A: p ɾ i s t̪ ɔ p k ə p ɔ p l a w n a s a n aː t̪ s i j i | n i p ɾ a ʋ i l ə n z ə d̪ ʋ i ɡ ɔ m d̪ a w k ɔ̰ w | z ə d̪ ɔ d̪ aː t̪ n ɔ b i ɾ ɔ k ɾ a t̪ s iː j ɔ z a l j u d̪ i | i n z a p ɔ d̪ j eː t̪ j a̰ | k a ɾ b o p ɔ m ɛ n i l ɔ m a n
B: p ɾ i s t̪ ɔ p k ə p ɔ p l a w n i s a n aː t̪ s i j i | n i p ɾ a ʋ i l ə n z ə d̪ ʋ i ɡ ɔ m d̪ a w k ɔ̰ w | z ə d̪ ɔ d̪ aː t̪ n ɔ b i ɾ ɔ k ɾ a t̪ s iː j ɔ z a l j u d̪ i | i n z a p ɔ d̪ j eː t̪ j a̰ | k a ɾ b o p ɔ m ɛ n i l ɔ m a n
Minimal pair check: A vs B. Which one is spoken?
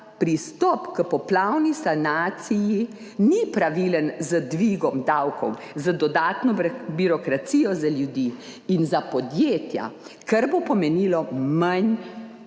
B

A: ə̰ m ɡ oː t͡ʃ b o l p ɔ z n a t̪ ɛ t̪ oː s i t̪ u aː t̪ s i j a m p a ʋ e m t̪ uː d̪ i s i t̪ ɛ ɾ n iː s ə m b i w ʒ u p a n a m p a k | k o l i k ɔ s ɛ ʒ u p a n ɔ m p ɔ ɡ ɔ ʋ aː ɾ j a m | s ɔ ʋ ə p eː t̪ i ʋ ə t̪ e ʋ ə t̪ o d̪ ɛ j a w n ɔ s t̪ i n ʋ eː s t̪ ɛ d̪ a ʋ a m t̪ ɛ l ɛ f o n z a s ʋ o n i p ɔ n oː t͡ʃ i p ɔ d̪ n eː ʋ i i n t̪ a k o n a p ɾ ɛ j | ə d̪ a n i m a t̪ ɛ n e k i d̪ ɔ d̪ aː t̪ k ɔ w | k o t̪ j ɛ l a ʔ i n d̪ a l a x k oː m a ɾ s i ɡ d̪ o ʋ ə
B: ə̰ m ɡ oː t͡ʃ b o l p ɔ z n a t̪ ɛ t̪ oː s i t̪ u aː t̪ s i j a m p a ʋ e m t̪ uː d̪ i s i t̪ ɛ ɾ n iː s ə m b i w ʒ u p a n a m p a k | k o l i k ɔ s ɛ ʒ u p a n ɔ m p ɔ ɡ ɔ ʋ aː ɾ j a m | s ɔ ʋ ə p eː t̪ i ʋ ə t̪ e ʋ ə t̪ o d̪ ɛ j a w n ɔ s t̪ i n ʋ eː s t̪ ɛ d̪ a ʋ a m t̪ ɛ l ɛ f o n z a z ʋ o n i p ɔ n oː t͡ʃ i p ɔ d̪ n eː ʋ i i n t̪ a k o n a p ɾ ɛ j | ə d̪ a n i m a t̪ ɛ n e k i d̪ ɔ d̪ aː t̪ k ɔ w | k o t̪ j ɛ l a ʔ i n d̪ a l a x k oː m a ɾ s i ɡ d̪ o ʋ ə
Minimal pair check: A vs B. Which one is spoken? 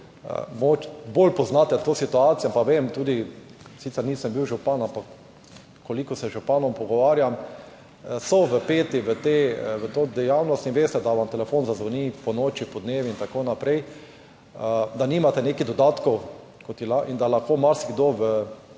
B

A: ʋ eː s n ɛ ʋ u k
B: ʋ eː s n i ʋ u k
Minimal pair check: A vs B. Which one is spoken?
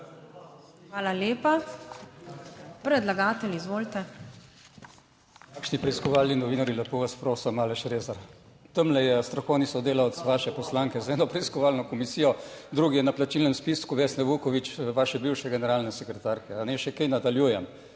A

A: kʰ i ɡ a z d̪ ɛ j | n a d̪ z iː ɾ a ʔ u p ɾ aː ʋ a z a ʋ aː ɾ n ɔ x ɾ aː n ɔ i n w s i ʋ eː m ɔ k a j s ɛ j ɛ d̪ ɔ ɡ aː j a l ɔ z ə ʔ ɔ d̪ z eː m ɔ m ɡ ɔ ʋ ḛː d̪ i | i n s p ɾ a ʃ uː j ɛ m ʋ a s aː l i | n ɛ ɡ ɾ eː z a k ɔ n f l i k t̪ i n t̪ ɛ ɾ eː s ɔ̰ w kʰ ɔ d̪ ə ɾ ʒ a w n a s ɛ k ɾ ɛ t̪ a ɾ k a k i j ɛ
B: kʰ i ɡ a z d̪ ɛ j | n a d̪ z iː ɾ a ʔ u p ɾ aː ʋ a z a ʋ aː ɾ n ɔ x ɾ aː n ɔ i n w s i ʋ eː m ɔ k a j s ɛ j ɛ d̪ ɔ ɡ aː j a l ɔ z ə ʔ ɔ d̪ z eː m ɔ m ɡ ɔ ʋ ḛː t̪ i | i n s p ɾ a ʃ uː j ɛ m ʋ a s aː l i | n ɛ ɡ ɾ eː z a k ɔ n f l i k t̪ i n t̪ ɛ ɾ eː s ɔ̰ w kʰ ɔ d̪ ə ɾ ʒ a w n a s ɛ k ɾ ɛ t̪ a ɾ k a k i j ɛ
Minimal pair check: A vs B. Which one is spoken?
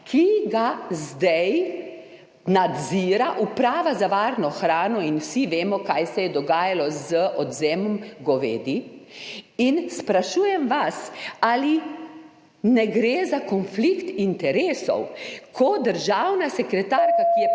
A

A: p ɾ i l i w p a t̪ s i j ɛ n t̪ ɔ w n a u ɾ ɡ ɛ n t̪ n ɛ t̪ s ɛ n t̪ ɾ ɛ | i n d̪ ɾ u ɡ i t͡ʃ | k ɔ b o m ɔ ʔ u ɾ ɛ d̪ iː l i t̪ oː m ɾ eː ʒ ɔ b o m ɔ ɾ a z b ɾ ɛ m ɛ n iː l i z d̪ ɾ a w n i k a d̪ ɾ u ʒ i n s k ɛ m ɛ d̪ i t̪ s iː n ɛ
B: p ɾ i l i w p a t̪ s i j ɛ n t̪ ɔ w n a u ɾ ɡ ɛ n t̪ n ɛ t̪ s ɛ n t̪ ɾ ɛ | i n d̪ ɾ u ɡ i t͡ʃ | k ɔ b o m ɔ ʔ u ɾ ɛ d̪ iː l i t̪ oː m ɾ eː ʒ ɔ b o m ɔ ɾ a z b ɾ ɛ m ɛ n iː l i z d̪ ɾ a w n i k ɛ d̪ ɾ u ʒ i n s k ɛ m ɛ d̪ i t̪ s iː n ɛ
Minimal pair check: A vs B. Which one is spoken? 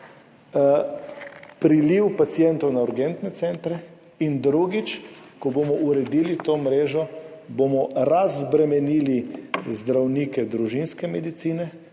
B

